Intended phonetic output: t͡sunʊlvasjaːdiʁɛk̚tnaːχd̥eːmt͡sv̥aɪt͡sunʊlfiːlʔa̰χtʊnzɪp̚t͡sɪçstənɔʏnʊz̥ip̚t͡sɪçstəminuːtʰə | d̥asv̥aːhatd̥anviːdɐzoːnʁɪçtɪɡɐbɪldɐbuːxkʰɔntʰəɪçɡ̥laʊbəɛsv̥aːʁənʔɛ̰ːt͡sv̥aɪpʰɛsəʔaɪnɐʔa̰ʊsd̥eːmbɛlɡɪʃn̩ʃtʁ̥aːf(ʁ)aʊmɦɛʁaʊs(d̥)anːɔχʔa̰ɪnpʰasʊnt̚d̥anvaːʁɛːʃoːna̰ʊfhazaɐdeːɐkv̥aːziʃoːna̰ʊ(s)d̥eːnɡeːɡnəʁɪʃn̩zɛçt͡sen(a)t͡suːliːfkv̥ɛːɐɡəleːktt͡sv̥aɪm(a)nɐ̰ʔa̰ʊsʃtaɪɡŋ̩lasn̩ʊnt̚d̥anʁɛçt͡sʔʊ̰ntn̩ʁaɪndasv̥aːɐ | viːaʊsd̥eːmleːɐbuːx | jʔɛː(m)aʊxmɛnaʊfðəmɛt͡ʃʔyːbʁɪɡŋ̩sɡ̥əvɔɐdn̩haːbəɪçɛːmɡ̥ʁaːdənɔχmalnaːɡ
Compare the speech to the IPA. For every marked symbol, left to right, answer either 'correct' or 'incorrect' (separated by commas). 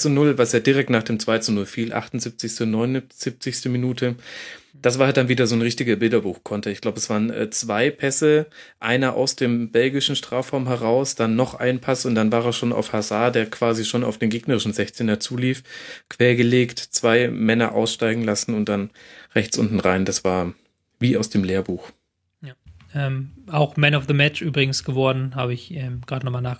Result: correct, correct, incorrect, incorrect, incorrect, correct